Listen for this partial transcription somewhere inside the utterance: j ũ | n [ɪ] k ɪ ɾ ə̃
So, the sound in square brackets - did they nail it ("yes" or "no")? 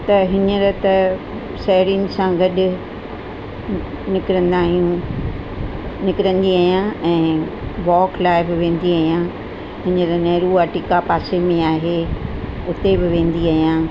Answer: yes